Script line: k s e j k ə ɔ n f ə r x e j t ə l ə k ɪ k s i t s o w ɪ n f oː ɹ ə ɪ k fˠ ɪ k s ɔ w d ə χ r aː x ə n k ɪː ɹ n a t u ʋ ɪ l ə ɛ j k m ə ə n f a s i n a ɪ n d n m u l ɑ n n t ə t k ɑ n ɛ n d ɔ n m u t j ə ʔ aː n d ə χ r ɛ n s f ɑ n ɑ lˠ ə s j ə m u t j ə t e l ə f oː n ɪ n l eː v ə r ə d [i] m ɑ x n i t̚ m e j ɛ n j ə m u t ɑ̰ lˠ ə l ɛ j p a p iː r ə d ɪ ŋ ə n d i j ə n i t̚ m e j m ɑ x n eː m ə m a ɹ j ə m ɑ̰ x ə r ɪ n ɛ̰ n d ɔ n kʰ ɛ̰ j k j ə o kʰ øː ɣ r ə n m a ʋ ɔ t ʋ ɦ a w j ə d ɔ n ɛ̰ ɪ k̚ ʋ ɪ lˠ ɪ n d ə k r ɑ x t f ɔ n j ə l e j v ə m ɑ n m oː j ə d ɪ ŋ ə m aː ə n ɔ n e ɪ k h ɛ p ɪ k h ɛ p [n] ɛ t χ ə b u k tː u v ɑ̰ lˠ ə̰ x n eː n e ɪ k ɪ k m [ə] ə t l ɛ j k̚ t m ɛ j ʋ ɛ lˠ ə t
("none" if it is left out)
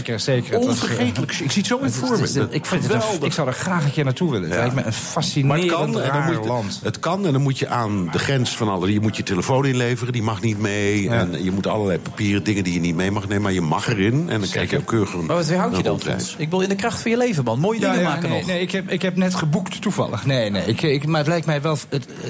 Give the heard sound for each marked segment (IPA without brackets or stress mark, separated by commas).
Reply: i, n, a